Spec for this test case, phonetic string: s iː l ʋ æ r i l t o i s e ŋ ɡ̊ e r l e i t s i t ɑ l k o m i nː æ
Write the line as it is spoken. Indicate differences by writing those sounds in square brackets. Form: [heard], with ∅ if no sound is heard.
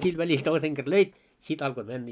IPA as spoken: s [i] l ʋ æ [l] i l t o i s e ŋ ɡ̊ e r l [ø] i t s i t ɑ l k o m [æ] nː æ